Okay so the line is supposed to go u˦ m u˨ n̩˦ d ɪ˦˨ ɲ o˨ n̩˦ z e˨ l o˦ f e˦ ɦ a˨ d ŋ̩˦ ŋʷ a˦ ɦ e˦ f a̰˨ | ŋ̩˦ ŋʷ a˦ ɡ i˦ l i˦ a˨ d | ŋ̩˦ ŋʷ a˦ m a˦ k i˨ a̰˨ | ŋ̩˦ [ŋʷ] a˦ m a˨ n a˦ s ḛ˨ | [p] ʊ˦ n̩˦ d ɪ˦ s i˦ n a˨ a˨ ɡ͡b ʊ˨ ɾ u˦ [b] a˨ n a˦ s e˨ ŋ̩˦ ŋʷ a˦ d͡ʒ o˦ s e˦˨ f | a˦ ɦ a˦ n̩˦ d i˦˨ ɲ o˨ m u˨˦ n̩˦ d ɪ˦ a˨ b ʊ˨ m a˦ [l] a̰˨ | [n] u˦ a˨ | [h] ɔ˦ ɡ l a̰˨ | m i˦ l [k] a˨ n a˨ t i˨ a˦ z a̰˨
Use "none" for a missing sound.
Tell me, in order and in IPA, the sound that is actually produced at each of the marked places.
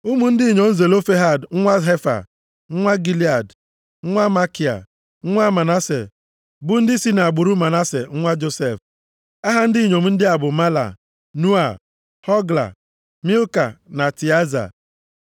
ŋʷ, b, m, l, n, h, k

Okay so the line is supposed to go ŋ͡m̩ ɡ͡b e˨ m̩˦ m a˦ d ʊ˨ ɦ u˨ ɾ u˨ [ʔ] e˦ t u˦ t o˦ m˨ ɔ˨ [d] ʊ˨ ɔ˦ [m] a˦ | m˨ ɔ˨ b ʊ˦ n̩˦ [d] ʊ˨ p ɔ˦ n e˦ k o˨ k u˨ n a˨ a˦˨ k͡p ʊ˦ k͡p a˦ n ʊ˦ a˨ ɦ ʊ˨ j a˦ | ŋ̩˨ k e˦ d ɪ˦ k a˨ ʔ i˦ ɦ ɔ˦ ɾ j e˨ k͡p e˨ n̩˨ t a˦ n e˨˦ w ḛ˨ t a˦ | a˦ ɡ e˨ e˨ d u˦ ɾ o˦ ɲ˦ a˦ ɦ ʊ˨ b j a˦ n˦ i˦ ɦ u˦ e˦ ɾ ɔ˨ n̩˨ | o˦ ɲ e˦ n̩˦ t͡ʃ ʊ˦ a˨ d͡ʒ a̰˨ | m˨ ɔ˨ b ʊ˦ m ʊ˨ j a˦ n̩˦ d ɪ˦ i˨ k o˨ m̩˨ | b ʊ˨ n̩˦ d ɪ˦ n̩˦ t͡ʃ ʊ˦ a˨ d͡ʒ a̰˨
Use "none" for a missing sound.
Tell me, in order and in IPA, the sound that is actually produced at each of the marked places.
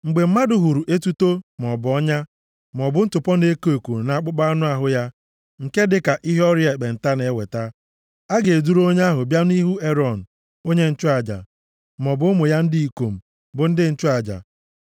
ʔ, b, ɲ, t

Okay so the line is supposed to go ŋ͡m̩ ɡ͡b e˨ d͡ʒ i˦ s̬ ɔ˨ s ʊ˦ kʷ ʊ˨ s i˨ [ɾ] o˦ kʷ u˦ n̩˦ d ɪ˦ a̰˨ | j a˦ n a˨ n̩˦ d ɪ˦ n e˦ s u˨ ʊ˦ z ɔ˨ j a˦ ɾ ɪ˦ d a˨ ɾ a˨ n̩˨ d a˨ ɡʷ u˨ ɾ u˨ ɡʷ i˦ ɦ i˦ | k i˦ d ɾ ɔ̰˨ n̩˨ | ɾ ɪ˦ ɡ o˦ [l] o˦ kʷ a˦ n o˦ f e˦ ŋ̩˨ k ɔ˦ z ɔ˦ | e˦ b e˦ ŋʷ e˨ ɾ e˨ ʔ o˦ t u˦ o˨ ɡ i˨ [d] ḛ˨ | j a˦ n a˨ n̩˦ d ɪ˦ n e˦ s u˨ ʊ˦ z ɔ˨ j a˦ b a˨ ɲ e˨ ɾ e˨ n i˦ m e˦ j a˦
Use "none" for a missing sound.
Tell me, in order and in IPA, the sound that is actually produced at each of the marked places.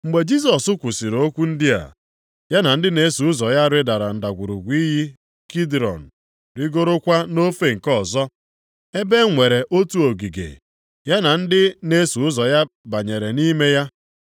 ɾ, ɾ, ɡ

